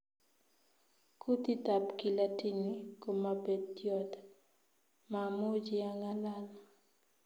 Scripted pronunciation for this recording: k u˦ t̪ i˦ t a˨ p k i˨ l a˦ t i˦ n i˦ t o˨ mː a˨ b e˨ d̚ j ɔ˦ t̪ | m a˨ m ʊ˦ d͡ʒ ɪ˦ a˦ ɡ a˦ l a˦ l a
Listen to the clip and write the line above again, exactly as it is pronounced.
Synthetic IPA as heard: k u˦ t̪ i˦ t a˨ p k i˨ l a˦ t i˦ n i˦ k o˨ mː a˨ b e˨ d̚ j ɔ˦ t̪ | m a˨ m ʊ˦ d͡ʒ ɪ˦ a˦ ŋ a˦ l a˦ l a